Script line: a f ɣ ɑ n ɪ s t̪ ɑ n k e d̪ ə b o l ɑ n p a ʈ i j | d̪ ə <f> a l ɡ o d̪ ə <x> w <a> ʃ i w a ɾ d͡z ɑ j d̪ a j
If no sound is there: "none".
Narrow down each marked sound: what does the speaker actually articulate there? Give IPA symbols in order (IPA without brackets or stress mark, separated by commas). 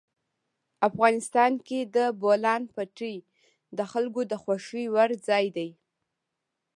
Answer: x, x, a